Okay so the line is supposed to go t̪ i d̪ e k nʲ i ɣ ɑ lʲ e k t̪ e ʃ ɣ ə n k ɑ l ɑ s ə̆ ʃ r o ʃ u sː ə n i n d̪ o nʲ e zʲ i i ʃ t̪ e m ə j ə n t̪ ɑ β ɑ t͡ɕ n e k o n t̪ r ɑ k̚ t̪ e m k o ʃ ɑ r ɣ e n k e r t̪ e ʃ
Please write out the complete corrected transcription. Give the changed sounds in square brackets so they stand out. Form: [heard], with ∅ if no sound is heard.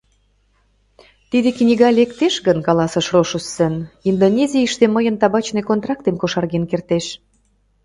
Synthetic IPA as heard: t̪ i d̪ e k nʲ i ɣ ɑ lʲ e k t̪ e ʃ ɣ ə n k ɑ l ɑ s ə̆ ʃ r o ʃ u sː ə n i n d̪ o nʲ e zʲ i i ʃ t̪ e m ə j ə n t̪ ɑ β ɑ t͡ɕ n e k o n t̪ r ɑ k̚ t̪ e m k o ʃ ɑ r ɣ e n k e r t̪ e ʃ